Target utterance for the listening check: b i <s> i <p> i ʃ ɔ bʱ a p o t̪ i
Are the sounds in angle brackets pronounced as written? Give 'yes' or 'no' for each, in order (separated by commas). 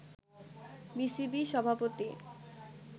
yes, no